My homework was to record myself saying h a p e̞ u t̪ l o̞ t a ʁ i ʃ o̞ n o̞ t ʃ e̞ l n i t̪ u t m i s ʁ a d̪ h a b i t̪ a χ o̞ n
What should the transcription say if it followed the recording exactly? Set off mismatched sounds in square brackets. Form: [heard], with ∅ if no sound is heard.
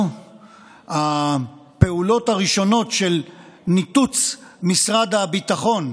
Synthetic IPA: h a p e̞ u [∅] l o̞ t a ʁ i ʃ o̞ n o̞ t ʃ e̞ l n i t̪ u [t͡s] m i s ʁ a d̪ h a b i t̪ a χ o̞ n

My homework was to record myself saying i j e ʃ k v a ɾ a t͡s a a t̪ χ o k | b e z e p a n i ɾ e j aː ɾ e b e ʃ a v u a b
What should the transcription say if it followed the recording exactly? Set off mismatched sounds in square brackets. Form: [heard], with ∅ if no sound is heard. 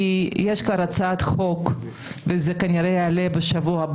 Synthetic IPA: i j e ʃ k v a ɾ a t͡s a a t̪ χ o k | [v] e z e [k] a n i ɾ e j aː [l] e b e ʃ a v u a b

